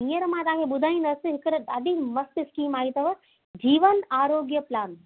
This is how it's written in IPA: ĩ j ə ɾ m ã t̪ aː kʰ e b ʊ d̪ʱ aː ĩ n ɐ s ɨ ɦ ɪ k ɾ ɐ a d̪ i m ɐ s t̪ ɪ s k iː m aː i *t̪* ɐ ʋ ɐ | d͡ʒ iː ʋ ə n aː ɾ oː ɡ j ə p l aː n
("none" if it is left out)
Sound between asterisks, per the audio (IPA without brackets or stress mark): t̪